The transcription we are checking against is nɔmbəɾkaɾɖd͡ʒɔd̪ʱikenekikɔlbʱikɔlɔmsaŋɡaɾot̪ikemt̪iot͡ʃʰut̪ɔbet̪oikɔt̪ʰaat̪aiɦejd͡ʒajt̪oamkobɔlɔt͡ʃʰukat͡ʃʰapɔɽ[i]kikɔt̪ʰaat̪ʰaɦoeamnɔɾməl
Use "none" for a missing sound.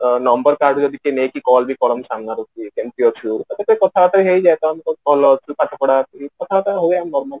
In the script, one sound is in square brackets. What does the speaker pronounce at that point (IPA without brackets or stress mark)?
a